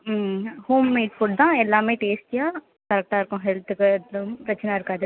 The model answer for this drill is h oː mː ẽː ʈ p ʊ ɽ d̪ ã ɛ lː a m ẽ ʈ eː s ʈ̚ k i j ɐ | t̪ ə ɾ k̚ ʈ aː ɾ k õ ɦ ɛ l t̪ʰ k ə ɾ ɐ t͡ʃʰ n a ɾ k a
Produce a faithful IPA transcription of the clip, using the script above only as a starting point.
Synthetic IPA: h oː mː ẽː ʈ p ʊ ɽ d̪ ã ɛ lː a m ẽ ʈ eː s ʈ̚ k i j a | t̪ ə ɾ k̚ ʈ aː ɾ k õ ɦ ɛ l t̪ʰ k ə ɾ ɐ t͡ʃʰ n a ɾ k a